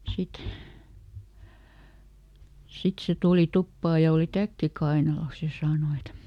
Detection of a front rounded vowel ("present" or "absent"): absent